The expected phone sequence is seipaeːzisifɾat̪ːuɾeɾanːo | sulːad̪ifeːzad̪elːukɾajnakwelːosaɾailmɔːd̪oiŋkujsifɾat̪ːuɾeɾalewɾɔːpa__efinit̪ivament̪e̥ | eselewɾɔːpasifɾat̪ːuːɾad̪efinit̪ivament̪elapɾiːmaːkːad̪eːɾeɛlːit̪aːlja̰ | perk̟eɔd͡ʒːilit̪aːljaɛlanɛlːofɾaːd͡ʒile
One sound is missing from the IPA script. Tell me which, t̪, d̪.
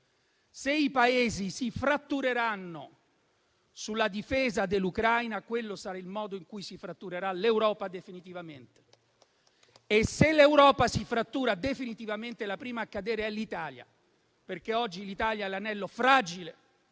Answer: d̪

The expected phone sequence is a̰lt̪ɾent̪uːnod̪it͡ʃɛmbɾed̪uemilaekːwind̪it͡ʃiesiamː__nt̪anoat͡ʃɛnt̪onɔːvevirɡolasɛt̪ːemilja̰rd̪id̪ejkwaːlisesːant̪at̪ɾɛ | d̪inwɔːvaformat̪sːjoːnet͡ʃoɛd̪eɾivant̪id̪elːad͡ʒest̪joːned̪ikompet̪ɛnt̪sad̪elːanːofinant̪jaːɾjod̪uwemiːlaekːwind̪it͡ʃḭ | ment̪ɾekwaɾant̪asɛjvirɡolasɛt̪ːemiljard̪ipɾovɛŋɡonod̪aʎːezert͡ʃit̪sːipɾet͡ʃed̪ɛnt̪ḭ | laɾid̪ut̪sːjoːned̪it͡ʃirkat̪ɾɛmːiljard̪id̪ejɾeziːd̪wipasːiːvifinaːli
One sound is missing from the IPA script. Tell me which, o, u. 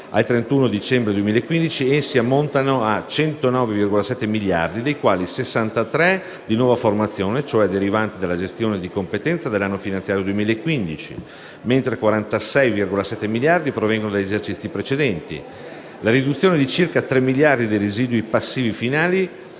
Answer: o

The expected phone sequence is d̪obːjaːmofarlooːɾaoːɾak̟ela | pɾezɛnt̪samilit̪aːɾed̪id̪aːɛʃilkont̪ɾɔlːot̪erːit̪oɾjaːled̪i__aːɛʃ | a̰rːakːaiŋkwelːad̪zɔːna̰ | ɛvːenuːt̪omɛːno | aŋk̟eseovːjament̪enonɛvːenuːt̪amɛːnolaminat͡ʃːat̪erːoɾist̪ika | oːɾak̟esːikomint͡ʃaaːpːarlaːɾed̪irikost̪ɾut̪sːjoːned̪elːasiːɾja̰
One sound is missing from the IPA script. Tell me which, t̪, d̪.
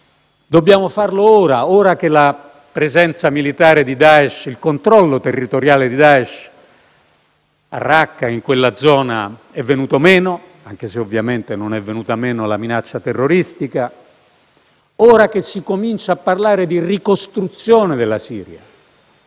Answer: d̪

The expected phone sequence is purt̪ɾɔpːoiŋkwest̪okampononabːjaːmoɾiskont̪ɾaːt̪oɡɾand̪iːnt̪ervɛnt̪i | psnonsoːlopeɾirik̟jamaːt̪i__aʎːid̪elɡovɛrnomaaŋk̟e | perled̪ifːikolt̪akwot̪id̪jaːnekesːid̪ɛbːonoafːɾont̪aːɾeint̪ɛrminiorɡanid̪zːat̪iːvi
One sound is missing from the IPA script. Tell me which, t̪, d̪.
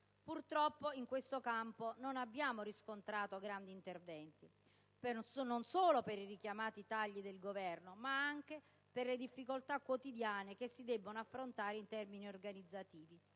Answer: t̪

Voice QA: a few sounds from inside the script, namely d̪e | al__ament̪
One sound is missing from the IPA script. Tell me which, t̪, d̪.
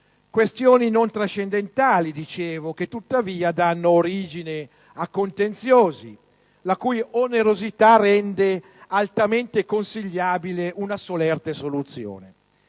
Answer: t̪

